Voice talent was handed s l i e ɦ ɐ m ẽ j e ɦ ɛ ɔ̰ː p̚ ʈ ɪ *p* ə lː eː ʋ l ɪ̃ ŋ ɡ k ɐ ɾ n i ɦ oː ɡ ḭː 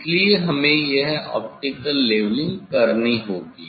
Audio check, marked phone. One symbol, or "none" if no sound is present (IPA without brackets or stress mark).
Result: k